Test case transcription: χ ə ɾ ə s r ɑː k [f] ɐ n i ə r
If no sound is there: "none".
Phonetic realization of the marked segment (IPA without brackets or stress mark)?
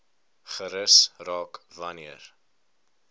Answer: v